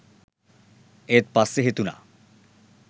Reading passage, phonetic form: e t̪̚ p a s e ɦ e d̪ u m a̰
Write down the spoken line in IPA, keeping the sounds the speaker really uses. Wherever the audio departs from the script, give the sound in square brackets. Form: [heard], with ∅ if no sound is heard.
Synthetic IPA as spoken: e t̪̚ p a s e ɦ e [t̪] u [n] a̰